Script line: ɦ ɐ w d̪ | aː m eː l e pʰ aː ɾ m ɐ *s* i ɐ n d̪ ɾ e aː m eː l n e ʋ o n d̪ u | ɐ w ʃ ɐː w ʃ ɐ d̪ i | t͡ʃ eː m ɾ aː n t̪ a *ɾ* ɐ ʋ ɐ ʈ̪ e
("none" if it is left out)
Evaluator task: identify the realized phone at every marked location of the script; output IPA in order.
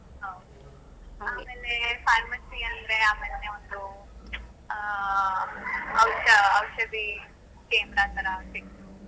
s, ɾ

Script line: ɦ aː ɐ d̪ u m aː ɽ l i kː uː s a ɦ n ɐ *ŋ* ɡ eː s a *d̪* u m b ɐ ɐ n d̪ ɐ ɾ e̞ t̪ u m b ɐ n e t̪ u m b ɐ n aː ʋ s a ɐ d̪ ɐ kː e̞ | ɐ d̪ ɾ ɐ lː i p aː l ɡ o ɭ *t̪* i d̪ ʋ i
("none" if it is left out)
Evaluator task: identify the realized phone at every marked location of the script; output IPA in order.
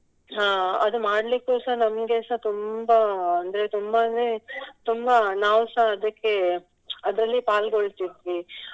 m, t̪, t̪

